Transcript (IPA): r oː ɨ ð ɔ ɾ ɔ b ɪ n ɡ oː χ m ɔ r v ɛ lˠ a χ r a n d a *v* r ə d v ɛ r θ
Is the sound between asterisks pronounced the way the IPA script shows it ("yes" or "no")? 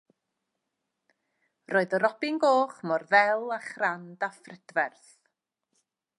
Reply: no